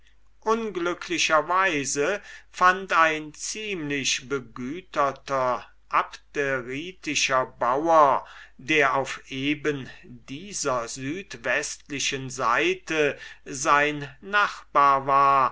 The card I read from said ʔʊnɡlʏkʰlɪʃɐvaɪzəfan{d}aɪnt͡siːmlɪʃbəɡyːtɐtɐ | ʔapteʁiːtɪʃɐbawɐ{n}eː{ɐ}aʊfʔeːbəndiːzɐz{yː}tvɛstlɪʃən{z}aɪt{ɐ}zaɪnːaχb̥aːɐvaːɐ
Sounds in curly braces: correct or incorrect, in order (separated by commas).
incorrect, incorrect, correct, correct, correct, incorrect